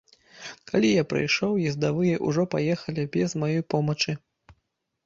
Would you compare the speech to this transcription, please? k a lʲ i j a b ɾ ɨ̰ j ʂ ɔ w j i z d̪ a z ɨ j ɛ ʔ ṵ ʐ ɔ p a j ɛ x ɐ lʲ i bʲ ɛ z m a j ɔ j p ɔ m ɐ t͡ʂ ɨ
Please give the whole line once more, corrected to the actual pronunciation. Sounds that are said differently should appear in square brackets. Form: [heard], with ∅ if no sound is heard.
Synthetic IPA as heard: k a lʲ i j a [p] ɾ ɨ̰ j ʂ ɔ w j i z d̪ a [v] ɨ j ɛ ʔ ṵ ʐ ɔ p a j ɛ x ɐ lʲ i bʲ ɛ z m a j ɔ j p ɔ m ɐ t͡ʂ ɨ